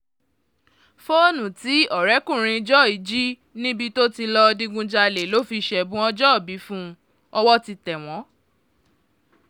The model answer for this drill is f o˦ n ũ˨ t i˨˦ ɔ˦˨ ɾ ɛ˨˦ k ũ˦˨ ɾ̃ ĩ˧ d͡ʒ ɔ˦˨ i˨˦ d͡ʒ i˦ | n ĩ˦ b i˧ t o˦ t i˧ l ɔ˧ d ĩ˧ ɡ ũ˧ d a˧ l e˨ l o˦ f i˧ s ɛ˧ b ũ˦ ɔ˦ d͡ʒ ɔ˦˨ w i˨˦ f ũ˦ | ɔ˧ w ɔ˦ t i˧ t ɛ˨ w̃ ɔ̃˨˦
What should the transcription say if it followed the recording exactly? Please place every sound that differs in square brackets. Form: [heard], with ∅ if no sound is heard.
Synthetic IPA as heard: f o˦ n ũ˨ t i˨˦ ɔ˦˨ ɾ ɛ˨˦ k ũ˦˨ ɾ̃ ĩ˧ d͡ʒ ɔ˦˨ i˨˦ d͡ʒ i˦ | n ĩ˦ b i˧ t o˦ t i˧ l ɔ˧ d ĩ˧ ɡ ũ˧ [d͡ʒ] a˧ l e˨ l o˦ f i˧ [ʃ] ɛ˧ b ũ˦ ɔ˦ d͡ʒ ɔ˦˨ [b] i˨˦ f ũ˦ | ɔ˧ w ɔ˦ t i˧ t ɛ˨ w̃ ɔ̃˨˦